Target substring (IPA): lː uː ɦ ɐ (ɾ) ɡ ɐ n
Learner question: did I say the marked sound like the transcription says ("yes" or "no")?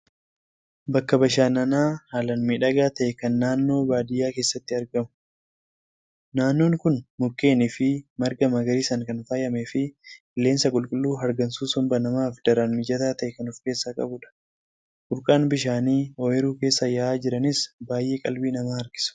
yes